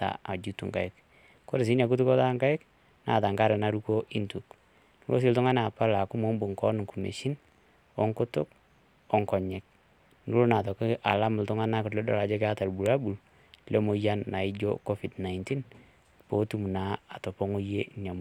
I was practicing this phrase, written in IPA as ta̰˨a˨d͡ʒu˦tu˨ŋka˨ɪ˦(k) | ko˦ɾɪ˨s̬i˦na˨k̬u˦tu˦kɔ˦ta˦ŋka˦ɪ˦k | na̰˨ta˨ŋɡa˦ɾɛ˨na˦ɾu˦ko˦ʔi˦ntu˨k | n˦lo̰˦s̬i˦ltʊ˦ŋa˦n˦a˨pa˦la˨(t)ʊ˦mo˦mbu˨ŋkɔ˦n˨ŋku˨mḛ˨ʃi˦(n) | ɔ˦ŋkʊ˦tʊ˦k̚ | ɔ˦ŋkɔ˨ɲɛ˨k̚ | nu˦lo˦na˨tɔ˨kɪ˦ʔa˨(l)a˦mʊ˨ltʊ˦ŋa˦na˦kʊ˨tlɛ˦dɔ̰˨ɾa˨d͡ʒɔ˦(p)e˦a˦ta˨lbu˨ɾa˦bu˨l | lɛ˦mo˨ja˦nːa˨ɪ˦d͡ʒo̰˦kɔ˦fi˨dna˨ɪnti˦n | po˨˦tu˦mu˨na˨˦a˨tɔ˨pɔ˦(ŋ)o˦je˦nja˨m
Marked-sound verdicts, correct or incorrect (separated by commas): correct, incorrect, correct, correct, incorrect, correct